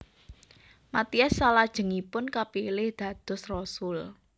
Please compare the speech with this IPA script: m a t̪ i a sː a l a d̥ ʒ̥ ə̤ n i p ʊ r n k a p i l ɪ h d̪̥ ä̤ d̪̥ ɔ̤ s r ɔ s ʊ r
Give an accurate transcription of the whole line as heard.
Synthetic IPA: m a t̪ i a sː a l a d̥ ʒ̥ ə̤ ŋ i p ʊ n k a p i l ɪ h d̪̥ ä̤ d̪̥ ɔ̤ s r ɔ s ʊ l